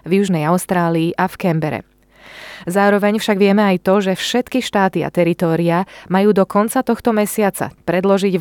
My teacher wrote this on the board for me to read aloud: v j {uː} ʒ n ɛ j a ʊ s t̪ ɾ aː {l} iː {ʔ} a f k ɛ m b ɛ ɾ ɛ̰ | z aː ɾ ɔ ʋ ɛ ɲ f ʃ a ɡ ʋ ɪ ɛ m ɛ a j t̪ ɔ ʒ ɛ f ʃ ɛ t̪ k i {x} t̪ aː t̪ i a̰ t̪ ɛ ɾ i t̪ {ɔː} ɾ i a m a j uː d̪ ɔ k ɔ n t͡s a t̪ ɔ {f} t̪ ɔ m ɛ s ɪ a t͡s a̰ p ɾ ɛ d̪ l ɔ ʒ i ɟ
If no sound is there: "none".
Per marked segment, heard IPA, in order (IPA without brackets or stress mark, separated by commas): u, l, ʔ, ʃ, ɔː, x